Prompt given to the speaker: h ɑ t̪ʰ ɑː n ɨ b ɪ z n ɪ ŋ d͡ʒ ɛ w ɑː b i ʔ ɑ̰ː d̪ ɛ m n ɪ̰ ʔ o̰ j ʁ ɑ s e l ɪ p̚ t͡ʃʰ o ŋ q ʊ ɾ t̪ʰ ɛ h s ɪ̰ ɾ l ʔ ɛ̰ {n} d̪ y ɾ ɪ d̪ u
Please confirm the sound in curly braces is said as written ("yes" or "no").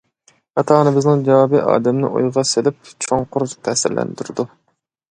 yes